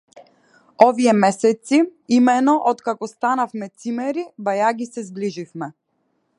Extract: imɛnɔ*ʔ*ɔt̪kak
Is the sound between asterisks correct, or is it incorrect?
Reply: correct